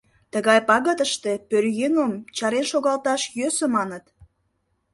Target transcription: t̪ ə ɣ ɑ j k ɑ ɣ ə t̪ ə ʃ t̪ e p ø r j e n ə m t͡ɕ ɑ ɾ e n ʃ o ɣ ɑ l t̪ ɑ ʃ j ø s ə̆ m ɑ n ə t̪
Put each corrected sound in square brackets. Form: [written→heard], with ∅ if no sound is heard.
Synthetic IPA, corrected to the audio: t̪ ə ɣ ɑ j [k→p] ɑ ɣ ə t̪ ə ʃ t̪ e p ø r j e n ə m t͡ɕ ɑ ɾ e n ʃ o ɣ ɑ l t̪ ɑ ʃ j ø s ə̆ m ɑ n ə t̪